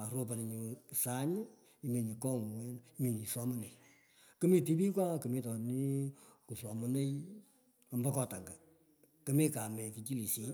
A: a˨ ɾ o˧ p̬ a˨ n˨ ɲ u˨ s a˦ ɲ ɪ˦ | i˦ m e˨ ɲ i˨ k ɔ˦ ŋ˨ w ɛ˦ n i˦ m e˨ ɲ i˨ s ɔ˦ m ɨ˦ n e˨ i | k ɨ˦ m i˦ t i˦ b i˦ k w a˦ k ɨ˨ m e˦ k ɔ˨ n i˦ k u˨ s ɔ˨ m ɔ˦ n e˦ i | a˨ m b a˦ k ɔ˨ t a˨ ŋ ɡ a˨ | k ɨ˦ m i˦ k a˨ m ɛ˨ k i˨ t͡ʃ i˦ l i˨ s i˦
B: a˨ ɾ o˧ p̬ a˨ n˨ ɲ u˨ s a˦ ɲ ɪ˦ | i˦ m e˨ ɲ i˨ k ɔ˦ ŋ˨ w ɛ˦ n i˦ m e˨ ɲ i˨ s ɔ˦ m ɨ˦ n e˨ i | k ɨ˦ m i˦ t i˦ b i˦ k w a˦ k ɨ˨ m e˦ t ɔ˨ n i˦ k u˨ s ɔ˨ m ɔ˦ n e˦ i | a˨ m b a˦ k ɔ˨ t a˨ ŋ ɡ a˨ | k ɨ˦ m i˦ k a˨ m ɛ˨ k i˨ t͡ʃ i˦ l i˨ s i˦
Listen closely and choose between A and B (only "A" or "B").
B